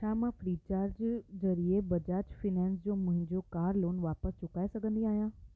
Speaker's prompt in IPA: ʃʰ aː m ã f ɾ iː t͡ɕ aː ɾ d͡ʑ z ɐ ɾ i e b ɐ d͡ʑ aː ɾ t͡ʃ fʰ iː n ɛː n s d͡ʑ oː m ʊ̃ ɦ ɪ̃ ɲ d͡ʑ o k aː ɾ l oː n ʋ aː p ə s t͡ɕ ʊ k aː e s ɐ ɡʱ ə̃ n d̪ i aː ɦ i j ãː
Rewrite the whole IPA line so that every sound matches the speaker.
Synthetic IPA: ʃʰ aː m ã f ɾ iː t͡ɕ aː ɾ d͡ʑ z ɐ ɾ i e b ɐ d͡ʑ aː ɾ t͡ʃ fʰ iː n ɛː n s d͡ʑ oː m ʊ̃ ɦ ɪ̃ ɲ d͡ʑ o k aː ɾ l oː n ʋ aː p ə s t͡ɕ ʊ k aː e s ɐ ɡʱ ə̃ n d̪ i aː ɦ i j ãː